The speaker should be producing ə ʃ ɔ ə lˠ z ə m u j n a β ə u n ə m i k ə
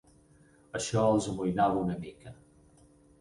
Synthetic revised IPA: ə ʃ ɔ ə lˠ z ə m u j n a β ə u n ə m i k ə